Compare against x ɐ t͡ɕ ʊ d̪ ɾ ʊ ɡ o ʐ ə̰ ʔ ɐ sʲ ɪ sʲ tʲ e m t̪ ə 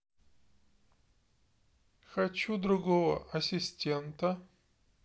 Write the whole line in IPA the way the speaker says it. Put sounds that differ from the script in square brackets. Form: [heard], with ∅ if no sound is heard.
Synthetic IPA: x ɐ t͡ɕ [u] d̪ ɾ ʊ ɡ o [v] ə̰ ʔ ɐ sʲ ɪ sʲ tʲ e [n] t̪ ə